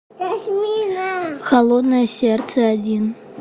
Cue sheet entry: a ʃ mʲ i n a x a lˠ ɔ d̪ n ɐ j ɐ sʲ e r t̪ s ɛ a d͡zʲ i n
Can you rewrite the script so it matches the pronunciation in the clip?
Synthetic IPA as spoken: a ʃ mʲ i n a x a lˠ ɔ d̪ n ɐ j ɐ sʲ ɛ r t̪ s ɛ a d͡zʲ i n